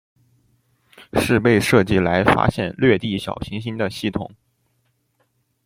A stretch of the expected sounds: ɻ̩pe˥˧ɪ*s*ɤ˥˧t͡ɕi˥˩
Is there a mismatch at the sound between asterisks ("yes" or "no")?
yes